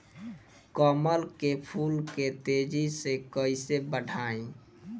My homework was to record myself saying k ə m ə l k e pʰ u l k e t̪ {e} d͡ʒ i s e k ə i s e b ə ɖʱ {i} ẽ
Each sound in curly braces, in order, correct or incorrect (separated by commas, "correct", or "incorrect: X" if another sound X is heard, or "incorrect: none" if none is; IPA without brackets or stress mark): correct, incorrect: a